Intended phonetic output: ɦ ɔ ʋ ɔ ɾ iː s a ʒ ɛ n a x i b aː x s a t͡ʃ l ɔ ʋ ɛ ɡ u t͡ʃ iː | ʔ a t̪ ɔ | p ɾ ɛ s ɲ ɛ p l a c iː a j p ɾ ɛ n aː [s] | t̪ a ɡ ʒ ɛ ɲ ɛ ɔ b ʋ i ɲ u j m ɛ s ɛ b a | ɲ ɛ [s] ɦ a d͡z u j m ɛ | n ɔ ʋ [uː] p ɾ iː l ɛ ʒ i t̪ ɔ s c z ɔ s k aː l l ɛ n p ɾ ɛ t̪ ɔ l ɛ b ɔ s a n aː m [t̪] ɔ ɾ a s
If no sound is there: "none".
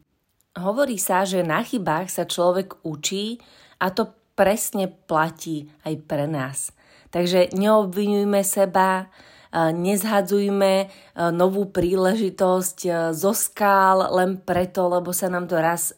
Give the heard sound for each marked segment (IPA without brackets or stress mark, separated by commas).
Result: s, z, uː, t̪